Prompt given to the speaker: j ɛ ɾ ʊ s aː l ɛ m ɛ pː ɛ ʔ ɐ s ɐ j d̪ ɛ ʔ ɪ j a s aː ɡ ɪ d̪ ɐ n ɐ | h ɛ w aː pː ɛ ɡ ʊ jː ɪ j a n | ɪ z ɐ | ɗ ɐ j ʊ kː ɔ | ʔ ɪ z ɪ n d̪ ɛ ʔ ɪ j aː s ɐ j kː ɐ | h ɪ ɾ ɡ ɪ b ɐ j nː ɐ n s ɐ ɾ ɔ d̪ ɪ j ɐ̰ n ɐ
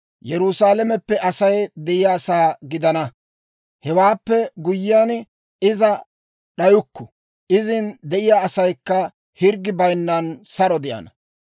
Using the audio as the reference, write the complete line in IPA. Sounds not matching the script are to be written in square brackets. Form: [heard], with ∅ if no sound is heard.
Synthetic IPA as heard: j ɛ ɾ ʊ s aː l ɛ m ɛ pː ɛ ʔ ɐ s ɐ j d̪ ɛ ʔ ɪ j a s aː ɡ ɪ d̪ ɐ n ɐ | h ɛ w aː pː ɛ ɡ ʊ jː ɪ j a n | ɪ z ɐ | ɗ ɐ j ʊ kː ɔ | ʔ ɪ z ɪ n d̪ ɛ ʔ ɪ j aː s ɐ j kː ɐ | h ɪ ɾ ɡ ɪ b ɐ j nː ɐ n s ɐ ɾ ɔ d̪ ɪ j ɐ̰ n ɐ